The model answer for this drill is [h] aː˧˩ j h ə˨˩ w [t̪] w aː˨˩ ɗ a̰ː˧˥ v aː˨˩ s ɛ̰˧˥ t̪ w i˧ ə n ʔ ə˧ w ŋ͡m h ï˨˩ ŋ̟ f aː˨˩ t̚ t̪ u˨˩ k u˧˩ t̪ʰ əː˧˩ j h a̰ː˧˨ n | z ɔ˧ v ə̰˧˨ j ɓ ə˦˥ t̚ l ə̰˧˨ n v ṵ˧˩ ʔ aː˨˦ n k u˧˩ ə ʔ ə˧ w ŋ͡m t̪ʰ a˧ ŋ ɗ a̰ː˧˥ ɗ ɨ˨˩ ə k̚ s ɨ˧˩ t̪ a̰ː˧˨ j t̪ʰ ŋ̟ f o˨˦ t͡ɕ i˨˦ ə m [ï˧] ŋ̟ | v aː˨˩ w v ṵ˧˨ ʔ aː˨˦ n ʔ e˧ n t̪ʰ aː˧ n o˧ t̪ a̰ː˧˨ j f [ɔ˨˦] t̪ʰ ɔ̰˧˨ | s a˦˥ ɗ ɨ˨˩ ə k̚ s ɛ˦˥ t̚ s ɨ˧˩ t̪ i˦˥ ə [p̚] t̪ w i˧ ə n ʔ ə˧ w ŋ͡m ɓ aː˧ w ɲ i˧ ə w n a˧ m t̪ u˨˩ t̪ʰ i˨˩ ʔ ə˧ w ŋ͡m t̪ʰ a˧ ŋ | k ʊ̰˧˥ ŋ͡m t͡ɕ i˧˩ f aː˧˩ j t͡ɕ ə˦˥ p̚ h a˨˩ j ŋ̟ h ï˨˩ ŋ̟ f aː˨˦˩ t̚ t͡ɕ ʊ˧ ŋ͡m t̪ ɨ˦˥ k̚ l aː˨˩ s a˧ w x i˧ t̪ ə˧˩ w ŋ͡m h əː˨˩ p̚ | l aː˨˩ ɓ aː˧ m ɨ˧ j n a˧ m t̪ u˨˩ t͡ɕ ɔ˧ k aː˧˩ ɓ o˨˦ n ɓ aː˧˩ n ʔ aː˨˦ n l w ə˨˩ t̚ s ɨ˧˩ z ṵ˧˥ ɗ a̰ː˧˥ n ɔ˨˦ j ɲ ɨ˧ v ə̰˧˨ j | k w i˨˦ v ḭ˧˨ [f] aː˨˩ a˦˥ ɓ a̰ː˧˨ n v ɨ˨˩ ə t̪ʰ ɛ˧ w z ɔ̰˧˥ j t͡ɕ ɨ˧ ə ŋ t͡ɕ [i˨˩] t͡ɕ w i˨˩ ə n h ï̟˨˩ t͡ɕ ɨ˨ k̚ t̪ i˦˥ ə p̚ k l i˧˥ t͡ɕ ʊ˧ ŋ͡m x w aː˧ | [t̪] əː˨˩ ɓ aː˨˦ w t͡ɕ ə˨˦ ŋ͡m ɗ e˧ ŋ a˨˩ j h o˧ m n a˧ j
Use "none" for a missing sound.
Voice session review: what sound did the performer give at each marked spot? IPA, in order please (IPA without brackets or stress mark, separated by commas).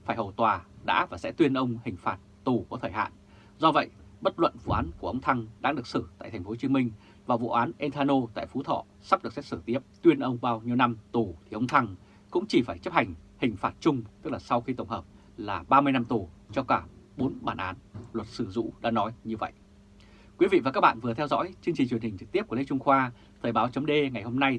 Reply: f, t̪, ï˧, u˨˦, p̚, v, i˨˩, t̪ʰ